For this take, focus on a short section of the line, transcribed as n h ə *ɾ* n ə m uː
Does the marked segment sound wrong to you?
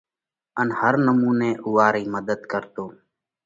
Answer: no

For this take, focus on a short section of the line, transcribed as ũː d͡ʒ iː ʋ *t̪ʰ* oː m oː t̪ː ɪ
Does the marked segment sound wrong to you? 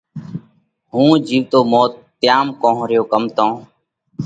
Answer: yes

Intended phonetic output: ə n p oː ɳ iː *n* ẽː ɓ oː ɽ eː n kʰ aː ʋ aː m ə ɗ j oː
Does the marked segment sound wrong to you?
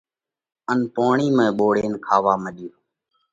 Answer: yes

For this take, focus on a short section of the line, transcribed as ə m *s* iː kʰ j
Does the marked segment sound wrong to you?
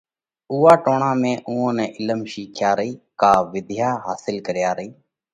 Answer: yes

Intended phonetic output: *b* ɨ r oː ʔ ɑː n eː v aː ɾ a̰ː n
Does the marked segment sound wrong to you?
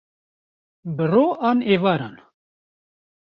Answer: no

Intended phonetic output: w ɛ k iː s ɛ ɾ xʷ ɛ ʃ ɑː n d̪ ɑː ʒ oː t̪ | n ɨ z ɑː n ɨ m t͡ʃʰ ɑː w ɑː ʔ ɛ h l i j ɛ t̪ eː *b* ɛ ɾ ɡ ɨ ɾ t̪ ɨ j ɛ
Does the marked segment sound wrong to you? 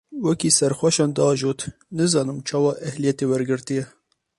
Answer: yes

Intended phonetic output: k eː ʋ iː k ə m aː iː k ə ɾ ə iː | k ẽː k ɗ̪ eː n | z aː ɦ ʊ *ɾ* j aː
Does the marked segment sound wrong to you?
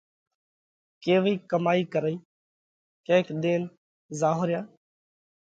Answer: no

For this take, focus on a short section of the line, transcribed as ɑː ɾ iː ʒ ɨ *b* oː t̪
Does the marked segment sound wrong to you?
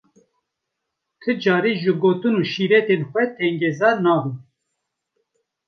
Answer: yes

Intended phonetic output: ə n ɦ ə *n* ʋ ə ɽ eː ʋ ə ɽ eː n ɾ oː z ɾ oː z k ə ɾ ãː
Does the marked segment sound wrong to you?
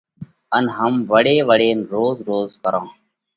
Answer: yes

